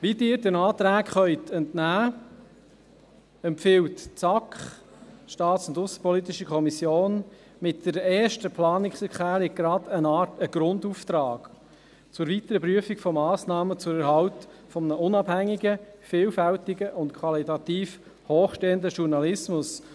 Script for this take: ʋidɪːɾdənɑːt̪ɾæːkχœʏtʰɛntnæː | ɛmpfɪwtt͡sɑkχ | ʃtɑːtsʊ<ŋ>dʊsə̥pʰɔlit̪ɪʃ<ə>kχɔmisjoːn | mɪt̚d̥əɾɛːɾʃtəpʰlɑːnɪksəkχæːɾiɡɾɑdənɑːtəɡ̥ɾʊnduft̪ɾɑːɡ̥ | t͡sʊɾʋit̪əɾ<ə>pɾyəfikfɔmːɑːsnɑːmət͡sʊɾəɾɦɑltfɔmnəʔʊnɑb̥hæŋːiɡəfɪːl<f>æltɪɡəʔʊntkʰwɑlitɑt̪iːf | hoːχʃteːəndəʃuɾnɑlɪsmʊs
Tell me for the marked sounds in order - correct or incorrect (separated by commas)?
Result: incorrect, correct, correct, correct